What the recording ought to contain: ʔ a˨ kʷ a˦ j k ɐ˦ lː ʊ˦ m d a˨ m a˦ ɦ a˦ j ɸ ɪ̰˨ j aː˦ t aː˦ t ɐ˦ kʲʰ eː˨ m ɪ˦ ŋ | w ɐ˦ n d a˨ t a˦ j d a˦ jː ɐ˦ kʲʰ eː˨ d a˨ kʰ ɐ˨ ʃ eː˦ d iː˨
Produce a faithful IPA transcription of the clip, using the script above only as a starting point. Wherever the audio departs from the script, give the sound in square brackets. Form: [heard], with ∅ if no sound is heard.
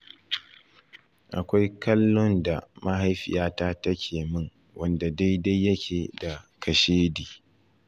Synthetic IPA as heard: ʔ a˨ kʷ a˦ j k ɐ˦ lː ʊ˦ [n] d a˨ m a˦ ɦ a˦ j ɸ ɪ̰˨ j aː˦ t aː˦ t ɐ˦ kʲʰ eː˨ m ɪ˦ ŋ | w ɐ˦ n d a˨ [d] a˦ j d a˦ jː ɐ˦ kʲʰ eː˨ d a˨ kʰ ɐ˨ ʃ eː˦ d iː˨